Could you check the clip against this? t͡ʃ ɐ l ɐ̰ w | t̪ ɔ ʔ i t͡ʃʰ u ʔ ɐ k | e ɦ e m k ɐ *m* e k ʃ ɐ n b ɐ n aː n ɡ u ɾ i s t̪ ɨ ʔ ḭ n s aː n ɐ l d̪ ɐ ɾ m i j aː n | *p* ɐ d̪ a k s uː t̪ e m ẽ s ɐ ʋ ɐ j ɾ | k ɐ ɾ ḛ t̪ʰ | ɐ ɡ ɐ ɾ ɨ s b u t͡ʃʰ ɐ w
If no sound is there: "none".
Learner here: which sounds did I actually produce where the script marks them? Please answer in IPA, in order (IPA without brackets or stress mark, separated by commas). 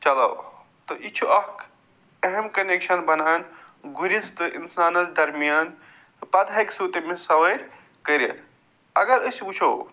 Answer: n, p